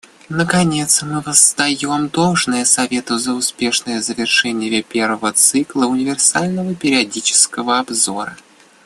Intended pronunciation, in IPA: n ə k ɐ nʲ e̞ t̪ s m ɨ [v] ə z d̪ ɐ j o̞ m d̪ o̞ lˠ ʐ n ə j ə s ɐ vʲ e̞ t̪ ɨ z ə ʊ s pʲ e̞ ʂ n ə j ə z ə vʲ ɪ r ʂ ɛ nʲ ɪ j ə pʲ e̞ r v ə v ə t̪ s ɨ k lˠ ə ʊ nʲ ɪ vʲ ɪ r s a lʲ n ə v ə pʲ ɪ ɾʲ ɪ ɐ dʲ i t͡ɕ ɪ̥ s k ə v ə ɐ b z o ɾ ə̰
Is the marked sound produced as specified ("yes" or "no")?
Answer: yes